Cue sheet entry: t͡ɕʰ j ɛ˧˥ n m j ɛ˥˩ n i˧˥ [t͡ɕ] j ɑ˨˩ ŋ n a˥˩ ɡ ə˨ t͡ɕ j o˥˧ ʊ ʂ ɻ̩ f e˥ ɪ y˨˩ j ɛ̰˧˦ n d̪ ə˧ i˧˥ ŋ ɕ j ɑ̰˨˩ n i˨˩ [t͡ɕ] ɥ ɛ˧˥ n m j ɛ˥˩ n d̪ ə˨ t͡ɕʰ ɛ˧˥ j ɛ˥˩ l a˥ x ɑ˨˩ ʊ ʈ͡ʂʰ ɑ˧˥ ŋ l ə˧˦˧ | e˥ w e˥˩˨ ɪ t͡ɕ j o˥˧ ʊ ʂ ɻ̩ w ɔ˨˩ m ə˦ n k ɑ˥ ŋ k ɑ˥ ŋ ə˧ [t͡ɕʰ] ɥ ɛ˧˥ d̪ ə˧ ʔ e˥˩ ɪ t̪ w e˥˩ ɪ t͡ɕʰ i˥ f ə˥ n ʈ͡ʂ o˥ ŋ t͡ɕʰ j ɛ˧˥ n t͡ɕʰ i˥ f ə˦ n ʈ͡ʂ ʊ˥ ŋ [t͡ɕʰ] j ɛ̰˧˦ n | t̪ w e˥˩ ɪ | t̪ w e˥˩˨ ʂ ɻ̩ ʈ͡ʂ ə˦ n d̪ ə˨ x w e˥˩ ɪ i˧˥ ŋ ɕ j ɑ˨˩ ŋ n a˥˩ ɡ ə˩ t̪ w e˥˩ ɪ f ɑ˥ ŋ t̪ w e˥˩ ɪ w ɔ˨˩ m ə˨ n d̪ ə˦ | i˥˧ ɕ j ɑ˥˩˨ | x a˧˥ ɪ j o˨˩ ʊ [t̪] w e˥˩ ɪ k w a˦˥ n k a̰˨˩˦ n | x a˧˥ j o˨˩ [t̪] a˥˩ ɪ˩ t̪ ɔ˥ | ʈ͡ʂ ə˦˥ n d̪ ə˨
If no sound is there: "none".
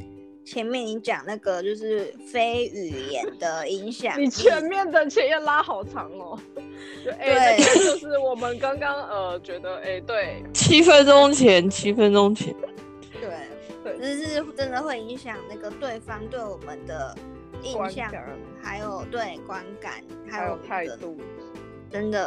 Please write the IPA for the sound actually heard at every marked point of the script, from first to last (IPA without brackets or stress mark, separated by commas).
t͡ɕ, t͡ɕʰ, t͡ɕ, t͡ɕʰ, t̪, t̪ʰ